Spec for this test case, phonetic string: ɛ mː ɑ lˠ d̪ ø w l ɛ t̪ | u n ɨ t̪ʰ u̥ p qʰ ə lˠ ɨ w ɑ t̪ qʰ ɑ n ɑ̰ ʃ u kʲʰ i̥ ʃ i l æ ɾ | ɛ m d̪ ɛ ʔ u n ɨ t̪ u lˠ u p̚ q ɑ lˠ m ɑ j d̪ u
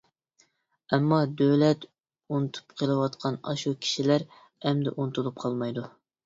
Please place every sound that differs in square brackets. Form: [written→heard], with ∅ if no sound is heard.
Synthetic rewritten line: ɛ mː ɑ [lˠ→∅] d̪ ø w l ɛ t̪ | u n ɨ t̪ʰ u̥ p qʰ ə lˠ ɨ w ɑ t̪ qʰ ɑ n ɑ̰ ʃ u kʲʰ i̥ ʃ i l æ ɾ | ɛ m d̪ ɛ ʔ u n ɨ t̪ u lˠ u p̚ [q→qʰ] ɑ lˠ m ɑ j d̪ u